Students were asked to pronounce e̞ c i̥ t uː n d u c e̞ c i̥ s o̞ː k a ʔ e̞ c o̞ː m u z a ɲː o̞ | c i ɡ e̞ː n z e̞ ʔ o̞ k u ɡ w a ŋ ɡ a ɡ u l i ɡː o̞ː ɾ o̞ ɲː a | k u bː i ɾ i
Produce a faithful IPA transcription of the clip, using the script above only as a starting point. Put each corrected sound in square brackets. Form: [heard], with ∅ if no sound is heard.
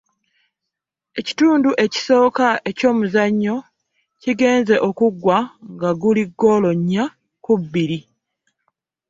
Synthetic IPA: e̞ c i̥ t uː n d u [ʔ] e̞ c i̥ s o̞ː k a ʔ e̞ c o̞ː m u z a ɲː o̞ | c i ɡ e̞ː n z e̞ ʔ o̞ k u ɡ w a ŋ ɡ a ɡ u l i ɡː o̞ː [l] o̞ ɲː a | k u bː i ɾ i

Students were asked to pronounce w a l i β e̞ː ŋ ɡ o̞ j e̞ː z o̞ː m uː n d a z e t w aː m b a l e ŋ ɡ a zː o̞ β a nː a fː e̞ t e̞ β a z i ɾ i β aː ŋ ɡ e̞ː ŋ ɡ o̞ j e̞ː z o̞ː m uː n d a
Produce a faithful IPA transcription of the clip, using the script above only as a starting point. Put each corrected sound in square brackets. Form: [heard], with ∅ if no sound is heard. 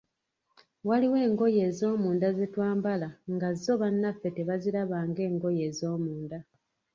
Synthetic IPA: w a l i [w] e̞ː ŋ ɡ o̞ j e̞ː z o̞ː m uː n d a z e t w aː m b a l [a] ŋ ɡ a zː o̞ β a nː a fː e̞ t e̞ β a z i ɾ [a] β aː ŋ ɡ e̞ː ŋ ɡ o̞ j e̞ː z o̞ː m uː n d a

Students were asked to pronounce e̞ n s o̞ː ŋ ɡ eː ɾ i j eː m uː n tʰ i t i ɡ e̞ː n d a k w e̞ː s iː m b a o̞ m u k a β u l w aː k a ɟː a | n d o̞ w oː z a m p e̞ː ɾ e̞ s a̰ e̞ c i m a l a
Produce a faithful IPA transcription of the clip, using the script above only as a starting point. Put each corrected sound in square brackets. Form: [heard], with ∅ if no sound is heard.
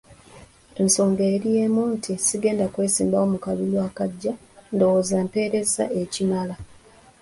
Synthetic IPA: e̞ n s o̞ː ŋ ɡ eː ɾ i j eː m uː n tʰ i [s] i ɡ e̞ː n d a k w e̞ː s iː m b a o̞ m u k a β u l w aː k a ɟː a | n d o̞ w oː z a m p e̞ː ɾ e̞ [z] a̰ e̞ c i m a l a

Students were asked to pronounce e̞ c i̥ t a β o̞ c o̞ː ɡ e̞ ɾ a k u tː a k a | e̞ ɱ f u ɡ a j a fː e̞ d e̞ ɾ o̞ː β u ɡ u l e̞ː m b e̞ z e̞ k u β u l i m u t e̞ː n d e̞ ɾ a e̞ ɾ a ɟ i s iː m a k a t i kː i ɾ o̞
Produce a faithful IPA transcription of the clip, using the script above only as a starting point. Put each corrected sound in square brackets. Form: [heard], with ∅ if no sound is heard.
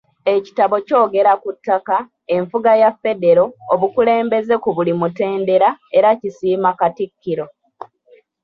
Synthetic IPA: e̞ c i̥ t a β o̞ c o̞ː ɡ e̞ ɾ a k u tː a k a | e̞ ɱ f u ɡ a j a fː e̞ d e̞ ɾ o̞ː β u [k] u l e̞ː m b e̞ z e̞ k u β u l i m u t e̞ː n d e̞ ɾ a e̞ ɾ a [c] i s iː m a k a t i kː i ɾ o̞

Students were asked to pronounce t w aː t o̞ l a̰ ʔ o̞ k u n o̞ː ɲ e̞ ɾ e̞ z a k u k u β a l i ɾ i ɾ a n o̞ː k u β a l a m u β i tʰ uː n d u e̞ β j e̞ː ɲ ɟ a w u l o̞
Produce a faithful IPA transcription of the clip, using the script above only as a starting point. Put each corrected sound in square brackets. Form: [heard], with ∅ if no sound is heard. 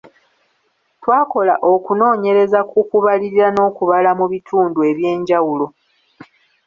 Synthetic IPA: t w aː [k] o̞ l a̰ ʔ o̞ k u n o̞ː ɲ e̞ ɾ e̞ z a k u k u β a l i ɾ i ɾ a n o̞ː k u β a l a m u β i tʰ uː n d u e̞ β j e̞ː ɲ ɟ a w u l o̞

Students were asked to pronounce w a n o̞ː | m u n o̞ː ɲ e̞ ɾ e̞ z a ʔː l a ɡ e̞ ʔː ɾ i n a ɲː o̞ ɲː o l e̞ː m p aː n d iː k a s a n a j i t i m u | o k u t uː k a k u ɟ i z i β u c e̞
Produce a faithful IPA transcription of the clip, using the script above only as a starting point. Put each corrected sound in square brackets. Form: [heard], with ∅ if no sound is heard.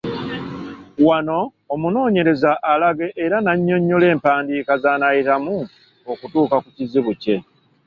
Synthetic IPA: w a n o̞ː | m u n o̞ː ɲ e̞ ɾ e̞ z a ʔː l a ɡ e̞ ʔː ɾ [a] n a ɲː o̞ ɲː o l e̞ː m p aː n d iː k a [z] a n a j i t [a] m u | o k u t uː k a k u [c] i z i β u c e̞

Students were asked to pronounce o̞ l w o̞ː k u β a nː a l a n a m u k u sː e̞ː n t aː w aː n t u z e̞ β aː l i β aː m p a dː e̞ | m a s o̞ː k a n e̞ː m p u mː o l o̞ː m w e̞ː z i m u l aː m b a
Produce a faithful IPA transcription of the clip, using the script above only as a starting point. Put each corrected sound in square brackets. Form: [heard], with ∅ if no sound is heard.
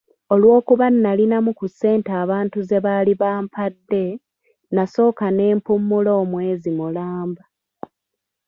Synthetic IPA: o̞ l w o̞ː k u β a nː a l [i] n a m u k u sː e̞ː n t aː [β] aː n t u z e̞ β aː l i β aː m p a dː e̞ | [n] a s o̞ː k a n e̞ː m p u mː [u] l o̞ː m w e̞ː z i m u l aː m b a

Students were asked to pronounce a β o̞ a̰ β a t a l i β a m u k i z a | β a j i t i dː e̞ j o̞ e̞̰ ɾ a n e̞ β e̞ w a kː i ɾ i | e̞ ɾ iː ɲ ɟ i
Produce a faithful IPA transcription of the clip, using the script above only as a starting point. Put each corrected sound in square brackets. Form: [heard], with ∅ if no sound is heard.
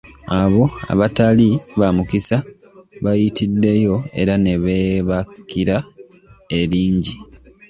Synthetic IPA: a β o̞ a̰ β a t a l i β a m u k i [s] a | β a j i t i dː e̞ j o̞ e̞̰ ɾ a n e̞ β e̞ [β] a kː i ɾ [a] | e̞ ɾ iː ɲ ɟ i

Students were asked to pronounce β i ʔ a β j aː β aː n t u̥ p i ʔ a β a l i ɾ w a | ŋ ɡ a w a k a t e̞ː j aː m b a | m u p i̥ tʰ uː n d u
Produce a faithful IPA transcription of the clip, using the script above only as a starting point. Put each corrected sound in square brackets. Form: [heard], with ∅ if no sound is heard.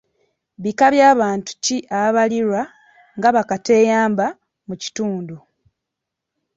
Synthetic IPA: β i [k] a β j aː β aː n t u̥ [c] i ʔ a β a l i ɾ w a | ŋ ɡ a [β] a k a t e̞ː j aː m b a | m u [c] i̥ [t] uː n d u

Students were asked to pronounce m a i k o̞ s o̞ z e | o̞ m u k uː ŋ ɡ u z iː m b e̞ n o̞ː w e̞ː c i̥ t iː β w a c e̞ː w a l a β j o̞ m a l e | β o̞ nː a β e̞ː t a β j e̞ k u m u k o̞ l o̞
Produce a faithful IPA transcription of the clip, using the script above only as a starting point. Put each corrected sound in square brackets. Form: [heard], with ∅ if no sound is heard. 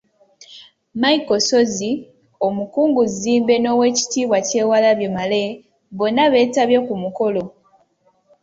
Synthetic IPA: m a i k o̞ s o̞ z [i] | o̞ m u k uː ŋ ɡ u z iː m b e̞ n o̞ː w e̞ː c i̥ t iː β w a c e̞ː w a l a β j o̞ m a l e | β o̞ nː a β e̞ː t a β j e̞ k u m u k o̞ l o̞

